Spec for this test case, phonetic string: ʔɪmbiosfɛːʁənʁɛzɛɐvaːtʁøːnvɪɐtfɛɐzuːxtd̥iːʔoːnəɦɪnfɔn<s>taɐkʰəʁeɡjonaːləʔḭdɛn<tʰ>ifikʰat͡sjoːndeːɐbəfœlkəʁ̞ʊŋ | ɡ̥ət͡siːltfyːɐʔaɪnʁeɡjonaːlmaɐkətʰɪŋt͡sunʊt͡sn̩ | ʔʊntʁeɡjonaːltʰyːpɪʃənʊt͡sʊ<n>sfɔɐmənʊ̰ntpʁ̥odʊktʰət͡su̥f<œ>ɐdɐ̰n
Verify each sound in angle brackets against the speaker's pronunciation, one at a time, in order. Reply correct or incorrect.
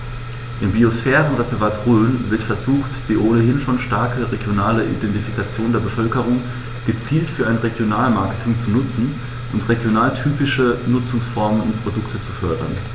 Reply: incorrect, incorrect, incorrect, correct

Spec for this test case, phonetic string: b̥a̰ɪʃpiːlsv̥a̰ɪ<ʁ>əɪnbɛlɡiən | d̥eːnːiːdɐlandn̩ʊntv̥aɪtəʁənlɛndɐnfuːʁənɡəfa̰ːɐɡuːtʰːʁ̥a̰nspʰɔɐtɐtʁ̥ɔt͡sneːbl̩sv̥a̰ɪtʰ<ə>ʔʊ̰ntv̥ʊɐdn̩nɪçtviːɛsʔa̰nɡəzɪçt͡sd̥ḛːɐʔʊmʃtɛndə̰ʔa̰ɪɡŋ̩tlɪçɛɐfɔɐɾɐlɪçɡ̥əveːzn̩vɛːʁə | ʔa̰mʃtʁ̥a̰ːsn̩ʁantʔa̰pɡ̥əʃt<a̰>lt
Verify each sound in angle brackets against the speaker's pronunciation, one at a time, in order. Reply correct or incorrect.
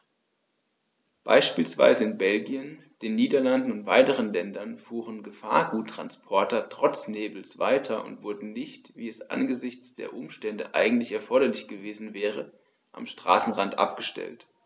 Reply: incorrect, incorrect, incorrect

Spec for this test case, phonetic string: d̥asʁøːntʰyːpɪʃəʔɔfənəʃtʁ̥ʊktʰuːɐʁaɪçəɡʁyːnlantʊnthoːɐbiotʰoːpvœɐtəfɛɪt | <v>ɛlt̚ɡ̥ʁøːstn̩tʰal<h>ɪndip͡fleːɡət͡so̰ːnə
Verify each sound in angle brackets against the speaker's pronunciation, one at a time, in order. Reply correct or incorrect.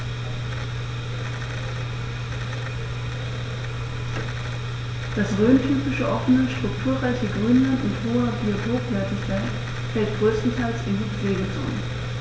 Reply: incorrect, incorrect

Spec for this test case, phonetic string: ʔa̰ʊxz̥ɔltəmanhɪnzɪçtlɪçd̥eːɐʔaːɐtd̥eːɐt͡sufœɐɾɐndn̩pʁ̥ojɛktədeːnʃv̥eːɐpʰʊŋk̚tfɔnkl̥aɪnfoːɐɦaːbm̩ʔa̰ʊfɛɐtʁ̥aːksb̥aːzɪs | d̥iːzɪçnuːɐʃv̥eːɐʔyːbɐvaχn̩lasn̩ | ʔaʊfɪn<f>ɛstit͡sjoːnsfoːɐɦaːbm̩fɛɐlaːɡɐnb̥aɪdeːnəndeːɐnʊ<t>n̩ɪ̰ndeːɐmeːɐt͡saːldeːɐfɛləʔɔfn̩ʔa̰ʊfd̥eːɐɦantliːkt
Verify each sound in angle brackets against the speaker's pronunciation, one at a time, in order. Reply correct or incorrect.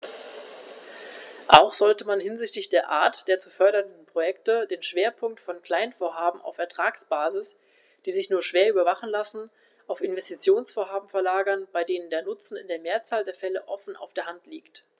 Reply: incorrect, incorrect

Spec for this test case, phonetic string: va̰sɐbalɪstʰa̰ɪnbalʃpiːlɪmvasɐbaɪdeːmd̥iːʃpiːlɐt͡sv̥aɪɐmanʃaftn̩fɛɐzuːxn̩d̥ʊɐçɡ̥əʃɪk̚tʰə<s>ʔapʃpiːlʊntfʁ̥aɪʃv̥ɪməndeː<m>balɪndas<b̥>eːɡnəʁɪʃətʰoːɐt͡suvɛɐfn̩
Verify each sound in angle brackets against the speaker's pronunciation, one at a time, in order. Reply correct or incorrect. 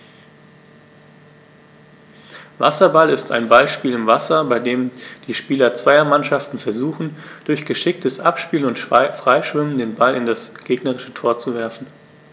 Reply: correct, incorrect, incorrect

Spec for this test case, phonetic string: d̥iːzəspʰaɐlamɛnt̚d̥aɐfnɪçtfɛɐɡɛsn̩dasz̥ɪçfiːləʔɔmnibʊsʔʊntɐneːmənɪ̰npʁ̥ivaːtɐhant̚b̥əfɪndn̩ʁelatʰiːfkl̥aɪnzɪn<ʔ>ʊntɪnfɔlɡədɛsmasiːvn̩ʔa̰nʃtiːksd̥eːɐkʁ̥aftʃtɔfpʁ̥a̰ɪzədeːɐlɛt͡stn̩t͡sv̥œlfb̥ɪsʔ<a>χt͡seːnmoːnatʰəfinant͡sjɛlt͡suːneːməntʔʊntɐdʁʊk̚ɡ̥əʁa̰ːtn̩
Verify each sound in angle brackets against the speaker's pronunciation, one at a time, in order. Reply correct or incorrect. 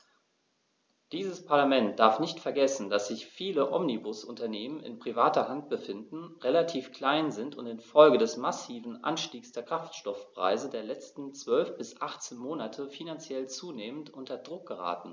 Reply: incorrect, correct

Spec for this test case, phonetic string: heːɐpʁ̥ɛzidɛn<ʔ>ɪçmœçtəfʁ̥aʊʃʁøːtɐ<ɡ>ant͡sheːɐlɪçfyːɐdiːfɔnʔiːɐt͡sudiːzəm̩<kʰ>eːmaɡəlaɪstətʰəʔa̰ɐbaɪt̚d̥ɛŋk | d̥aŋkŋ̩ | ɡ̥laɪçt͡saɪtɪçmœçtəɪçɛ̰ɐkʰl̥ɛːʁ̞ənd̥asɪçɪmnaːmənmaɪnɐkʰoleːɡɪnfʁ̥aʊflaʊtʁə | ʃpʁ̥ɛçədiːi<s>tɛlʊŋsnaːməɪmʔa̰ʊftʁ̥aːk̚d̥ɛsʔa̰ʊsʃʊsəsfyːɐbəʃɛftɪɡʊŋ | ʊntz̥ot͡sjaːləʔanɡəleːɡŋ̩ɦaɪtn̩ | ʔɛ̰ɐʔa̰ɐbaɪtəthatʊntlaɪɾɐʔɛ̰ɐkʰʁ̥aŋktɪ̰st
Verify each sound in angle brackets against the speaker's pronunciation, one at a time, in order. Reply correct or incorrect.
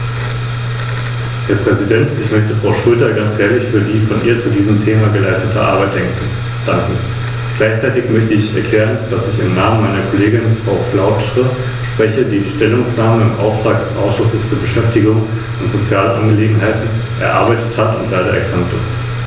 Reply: incorrect, correct, incorrect, incorrect

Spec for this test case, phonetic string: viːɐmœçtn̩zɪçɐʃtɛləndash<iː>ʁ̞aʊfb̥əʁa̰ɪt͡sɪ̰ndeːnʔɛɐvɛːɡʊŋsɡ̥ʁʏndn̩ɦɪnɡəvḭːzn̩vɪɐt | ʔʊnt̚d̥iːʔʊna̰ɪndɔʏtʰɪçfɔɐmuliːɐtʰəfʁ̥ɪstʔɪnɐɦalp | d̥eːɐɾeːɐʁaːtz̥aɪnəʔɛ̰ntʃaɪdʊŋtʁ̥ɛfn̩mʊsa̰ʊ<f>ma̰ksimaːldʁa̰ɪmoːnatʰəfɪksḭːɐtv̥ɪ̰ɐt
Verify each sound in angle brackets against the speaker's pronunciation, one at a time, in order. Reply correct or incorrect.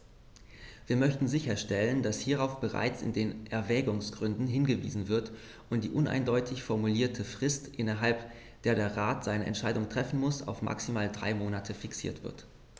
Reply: correct, correct

